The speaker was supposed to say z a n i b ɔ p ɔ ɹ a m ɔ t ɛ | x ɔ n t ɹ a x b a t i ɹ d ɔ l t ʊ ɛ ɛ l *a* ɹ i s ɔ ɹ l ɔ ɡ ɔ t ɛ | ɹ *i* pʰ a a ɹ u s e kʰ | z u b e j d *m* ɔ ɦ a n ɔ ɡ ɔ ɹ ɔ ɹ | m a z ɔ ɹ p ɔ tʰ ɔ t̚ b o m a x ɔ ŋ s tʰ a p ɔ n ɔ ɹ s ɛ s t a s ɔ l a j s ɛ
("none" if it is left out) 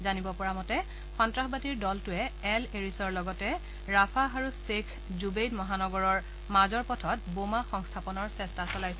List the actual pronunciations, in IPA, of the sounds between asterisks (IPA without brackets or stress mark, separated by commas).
e, a, m